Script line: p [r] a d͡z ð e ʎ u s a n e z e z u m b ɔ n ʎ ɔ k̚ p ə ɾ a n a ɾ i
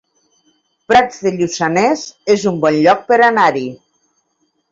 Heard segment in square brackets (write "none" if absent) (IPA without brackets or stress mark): ɾ